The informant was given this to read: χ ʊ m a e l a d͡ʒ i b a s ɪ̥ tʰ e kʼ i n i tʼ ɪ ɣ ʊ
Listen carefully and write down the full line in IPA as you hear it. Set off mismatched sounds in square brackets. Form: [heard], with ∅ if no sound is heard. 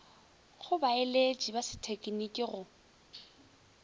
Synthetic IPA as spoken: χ ʊ [b] a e l [e] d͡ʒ i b a s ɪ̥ tʰ e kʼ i n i [kʼ] ɪ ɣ ʊ